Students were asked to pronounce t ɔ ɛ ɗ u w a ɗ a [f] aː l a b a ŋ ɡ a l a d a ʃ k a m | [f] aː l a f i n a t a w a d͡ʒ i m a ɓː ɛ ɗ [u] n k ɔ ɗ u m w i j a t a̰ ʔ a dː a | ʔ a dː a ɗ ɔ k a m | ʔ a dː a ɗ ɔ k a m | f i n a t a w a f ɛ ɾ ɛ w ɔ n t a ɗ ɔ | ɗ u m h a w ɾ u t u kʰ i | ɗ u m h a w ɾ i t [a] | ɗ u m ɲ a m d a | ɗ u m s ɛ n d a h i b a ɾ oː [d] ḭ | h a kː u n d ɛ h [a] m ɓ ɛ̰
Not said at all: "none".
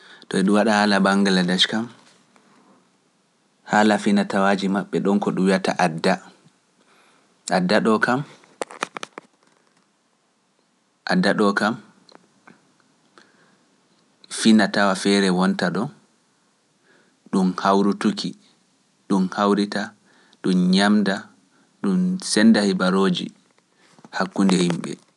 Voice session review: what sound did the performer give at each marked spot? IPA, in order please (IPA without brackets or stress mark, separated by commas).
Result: h, h, ɔ, a, d͡ʒ, i